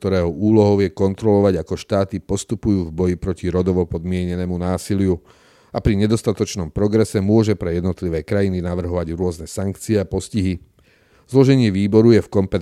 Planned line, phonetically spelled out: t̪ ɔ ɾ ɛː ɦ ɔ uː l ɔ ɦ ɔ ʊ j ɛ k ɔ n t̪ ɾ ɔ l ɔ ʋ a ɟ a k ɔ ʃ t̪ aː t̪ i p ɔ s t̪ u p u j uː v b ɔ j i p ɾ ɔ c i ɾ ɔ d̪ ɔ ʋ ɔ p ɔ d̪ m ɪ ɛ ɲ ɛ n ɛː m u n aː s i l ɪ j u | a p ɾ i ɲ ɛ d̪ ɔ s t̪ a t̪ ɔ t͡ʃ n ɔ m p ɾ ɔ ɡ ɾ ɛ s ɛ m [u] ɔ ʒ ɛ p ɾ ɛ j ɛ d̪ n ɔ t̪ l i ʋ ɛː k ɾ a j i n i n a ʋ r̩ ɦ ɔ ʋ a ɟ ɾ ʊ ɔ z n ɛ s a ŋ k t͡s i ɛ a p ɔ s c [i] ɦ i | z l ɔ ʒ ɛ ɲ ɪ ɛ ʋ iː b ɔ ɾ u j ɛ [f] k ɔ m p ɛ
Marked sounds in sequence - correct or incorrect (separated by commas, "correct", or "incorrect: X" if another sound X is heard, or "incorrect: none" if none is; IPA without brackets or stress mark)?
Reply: incorrect: ʊ, correct, correct